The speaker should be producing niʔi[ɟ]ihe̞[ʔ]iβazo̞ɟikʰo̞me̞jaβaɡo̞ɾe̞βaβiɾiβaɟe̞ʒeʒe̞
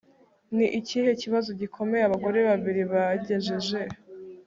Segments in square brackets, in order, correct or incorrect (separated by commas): incorrect, incorrect